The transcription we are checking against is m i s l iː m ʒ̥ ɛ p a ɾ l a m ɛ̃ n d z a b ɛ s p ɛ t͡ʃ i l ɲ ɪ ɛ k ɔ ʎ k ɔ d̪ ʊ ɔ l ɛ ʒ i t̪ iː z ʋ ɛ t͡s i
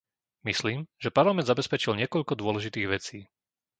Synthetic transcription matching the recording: m i s l iː m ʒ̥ ɛ p a ɾ l a m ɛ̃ n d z a b ɛ s p ɛ t͡ʃ i l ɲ ɪ ɛ k ɔ ʎ k ɔ d̪ ʊ ɔ l ɛ ʒ i t̪ iː ɣ ʋ ɛ t͡s iː